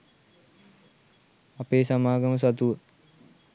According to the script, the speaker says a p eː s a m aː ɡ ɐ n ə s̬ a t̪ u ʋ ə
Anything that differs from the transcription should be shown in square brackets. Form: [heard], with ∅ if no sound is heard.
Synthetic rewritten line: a p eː s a m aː ɡ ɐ [m] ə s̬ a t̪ u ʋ ə